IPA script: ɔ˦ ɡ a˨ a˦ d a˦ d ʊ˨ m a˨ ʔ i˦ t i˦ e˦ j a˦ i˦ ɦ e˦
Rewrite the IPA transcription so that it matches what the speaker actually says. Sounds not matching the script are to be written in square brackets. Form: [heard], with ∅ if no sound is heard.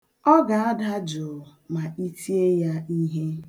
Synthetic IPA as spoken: ɔ˦ ɡ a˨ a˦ d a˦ [d͡ʒ] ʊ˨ m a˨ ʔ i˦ t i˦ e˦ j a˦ i˦ ɦ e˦